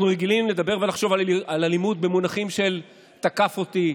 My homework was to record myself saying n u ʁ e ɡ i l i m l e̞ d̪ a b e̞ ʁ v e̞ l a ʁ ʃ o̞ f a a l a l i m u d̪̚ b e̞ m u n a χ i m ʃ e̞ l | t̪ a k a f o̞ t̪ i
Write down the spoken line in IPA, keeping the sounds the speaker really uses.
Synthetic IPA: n u ʁ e ɡ i l i m l e̞ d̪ a b e̞ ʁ v e̞ l a χ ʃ o̞ v a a l a l i m u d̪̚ b e̞ m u n a χ i m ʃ e̞ l | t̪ a k a f o̞ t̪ i